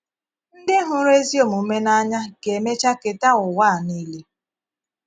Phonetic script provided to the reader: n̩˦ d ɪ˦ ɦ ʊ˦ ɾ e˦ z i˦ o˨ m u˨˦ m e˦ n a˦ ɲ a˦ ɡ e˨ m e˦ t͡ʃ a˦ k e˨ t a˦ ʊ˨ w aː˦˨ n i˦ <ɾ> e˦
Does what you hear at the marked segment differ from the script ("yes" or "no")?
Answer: yes